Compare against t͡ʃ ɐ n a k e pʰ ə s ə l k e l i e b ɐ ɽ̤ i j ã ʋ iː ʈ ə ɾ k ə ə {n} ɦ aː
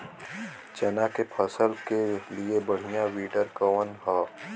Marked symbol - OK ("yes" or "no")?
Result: yes